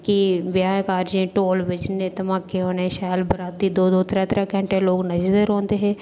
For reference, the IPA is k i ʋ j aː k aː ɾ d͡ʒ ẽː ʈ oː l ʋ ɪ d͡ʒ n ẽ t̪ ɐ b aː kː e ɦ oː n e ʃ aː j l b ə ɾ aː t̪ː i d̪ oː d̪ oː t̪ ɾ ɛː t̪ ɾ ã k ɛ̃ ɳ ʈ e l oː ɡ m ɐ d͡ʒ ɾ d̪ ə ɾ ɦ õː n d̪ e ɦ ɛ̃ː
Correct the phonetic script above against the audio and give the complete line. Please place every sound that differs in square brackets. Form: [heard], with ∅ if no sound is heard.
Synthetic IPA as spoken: k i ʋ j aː k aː ɾ d͡ʒ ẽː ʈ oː l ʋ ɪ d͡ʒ n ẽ t̪ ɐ [m] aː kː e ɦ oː n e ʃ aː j l b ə ɾ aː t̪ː i d̪ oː d̪ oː t̪ ɾ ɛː t̪ ɾ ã k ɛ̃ ɳ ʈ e l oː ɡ [n] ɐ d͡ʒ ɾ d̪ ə ɾ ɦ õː n d̪ e ɦ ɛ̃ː